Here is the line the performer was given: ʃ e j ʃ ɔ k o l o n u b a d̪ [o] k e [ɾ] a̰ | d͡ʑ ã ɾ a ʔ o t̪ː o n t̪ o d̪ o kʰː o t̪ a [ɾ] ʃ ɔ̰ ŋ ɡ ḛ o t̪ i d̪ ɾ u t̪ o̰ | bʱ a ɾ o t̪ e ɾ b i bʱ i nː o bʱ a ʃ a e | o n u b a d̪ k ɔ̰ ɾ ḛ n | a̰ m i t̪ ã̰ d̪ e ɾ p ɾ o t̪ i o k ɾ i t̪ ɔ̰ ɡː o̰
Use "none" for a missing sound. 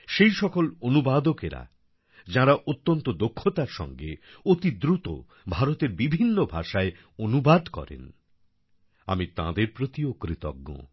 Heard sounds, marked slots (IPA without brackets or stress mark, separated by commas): o, ɾ, ɾ